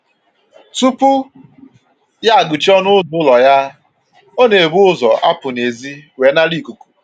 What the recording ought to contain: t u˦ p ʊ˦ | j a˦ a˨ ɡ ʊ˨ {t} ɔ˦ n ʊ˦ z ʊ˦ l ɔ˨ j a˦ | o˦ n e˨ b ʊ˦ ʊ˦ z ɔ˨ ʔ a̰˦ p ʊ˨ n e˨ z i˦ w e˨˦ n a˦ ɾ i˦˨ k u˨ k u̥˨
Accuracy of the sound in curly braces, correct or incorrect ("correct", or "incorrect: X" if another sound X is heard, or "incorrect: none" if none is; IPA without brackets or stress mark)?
incorrect: t͡ʃ